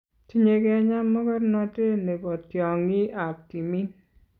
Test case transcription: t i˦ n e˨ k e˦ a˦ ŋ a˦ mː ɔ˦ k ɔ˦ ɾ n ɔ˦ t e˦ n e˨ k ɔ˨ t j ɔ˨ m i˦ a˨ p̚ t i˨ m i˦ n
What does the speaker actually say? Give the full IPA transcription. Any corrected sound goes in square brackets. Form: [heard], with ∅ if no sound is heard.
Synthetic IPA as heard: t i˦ [ɲ] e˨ k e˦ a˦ [ɲ] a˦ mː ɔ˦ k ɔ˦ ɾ n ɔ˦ t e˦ n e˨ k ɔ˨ t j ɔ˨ [ŋ] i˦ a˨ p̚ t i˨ m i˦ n